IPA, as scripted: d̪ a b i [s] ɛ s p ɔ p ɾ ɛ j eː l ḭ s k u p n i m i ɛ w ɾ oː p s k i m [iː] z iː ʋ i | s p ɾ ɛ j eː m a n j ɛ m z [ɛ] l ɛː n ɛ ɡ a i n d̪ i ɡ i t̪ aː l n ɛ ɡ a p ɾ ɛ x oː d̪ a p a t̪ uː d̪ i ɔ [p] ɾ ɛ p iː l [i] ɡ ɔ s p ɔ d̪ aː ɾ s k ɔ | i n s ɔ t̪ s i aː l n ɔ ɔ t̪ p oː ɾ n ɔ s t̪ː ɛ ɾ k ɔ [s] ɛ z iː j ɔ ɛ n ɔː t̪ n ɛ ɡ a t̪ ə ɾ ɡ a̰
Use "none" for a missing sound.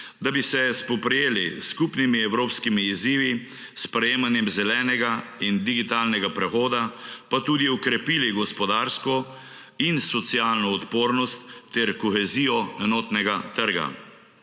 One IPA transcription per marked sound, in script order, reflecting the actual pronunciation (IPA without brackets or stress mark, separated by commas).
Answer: s, iː, ɛ, k, i, x